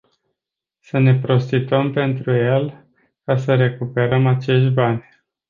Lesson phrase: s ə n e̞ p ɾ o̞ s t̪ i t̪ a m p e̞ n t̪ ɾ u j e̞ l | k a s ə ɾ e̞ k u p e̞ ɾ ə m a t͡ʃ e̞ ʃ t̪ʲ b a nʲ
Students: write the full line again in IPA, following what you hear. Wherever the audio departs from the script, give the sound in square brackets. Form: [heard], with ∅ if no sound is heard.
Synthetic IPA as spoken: s ə n e̞ p ɾ o̞ s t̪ i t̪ [ə] m p e̞ n t̪ ɾ u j e̞ l | k a s ə ɾ e̞ k u p e̞ ɾ ə m a t͡ʃ e̞ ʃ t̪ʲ b a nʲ

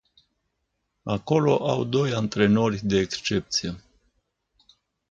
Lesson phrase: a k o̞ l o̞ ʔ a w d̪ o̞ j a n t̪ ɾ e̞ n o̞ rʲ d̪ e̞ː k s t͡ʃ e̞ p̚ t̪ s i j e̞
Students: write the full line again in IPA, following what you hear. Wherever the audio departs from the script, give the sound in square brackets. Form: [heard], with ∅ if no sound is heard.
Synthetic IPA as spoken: a k o̞ l o̞ ʔ a w d̪ o̞ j a n t̪ ɾ e̞ n o̞ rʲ d̪ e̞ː k s t͡ʃ e̞ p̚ t̪ s i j e̞

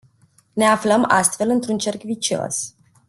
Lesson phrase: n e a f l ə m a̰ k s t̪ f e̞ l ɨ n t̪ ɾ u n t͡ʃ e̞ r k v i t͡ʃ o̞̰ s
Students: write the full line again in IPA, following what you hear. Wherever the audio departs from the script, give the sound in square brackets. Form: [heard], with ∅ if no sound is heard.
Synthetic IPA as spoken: n e a f l ə m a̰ [∅] s t̪ f e̞ l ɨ n t̪ ɾ u n t͡ʃ e̞ r k v i t͡ʃ o̞̰ s

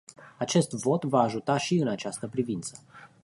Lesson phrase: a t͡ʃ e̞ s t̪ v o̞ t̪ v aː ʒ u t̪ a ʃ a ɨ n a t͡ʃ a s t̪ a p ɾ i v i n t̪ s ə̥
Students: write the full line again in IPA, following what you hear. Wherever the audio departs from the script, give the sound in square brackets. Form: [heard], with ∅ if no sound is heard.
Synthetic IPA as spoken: a t͡ʃ e̞ s t̪ v o̞ t̪ v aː ʒ u t̪ a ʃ [i] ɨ n a t͡ʃ a s t̪ [ə] p ɾ i v i n t̪ s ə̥

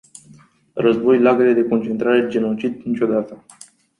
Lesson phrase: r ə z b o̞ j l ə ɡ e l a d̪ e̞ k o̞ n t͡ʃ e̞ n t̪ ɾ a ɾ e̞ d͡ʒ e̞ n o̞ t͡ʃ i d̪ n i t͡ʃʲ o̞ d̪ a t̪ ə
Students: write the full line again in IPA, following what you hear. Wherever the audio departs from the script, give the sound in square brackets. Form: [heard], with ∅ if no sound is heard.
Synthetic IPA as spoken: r ə z b o̞ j l [a] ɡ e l [e] d̪ e̞ k o̞ n t͡ʃ e̞ n t̪ ɾ a ɾ e̞ d͡ʒ e̞ n o̞ t͡ʃ i d̪ n i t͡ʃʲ o̞ d̪ a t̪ ə

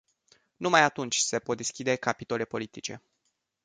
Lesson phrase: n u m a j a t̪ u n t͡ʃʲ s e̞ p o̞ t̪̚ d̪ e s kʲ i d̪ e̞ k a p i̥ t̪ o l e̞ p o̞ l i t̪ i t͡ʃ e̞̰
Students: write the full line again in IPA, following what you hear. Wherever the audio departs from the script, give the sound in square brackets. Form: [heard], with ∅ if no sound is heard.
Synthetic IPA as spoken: n u m a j a t̪ u n t͡ʃʲ s e̞ p o̞ t̪̚ d̪ e s kʲ i d̪ e̞ k a p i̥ t̪ o l e̞ p o̞ l i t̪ i t͡ʃ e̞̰

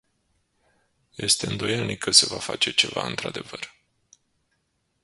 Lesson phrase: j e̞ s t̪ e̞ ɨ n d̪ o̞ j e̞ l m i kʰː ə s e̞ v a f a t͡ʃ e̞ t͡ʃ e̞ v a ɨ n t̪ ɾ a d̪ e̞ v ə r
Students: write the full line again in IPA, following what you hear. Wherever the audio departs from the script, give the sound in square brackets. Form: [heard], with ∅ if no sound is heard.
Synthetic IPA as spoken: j e̞ s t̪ e̞ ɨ n d̪ o̞ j e̞ l [n] i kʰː ə s e̞ v a f a t͡ʃ e̞ t͡ʃ e̞ v a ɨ n t̪ ɾ a d̪ e̞ v ə r

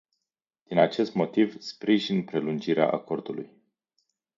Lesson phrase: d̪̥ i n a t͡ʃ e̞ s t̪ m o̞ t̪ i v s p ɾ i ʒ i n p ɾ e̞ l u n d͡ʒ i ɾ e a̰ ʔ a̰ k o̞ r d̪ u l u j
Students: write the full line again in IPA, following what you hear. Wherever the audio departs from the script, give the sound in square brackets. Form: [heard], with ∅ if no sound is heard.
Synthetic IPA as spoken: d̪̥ i n a t͡ʃ e̞ s t̪ m o̞ t̪ i v s p ɾ i ʒ i n p ɾ e̞ l u n d͡ʒ i ɾ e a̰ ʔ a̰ k o̞ r d̪ u l u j

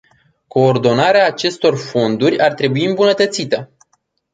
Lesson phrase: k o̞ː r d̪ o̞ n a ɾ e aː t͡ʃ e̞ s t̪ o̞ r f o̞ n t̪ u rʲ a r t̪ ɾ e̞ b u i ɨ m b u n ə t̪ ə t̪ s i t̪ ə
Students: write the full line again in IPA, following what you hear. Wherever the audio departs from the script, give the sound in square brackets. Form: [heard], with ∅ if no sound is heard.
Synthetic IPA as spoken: k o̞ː r d̪ o̞ n a ɾ e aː t͡ʃ e̞ s t̪ o̞ r f o̞ n [d̪] u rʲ a r t̪ ɾ e̞ b u i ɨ m b u n ə t̪ ə t̪ s i t̪ ə

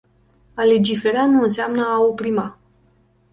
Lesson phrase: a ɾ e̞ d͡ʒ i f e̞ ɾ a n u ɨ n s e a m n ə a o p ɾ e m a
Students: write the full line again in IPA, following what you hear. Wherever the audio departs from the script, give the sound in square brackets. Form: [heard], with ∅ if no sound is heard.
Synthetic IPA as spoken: a [l] e̞ d͡ʒ i f e̞ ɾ a n u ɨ n s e a m n ə a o p ɾ [i] m a

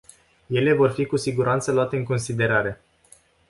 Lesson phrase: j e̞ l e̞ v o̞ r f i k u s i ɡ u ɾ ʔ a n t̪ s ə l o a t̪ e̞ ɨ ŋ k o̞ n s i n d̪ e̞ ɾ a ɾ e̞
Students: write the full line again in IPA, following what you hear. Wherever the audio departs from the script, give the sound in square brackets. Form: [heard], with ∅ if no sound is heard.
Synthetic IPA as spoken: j e̞ l e̞ v o̞ r f i k u s i ɡ u ɾ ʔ a n t̪ s ə l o a t̪ e̞ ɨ ŋ k o̞ n s i [∅] d̪ e̞ ɾ a ɾ e̞

